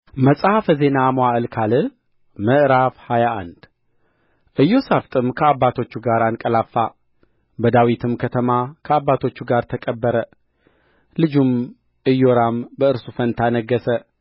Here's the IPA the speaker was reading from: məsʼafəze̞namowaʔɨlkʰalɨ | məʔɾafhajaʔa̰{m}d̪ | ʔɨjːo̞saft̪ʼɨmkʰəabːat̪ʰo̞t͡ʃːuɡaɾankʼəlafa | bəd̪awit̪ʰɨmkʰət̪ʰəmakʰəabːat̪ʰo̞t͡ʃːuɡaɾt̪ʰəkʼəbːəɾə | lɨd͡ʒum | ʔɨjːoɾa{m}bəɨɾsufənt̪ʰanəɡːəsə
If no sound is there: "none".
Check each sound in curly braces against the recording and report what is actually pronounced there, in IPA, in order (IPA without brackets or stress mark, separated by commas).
n, m